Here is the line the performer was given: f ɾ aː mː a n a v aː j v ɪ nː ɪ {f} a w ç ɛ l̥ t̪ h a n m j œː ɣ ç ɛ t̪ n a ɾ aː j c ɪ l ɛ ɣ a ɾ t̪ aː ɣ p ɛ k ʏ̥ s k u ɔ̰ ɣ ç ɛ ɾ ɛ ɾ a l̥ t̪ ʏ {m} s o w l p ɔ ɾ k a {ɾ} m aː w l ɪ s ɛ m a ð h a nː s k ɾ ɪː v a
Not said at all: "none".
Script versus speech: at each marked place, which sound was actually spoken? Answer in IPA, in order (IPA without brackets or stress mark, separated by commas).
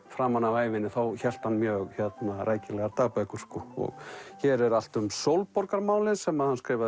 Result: θ, m, ɾ